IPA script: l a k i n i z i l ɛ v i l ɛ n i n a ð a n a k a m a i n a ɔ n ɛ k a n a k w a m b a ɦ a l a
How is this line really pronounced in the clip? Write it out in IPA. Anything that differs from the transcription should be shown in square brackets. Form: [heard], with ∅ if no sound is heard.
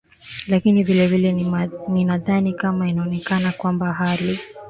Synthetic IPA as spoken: l a k i n i [v] i l ɛ v i l ɛ n i n a ð a n [i] k a m a i n a ɔ n ɛ k a n a k w a m b a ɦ a l [i]